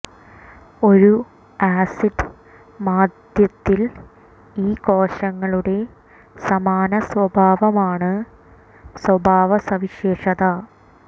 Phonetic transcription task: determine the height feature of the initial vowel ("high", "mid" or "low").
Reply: mid